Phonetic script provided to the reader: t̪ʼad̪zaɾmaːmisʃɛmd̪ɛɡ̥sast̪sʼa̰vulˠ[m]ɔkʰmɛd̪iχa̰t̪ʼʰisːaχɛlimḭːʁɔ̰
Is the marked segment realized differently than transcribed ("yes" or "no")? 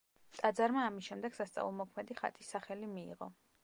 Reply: no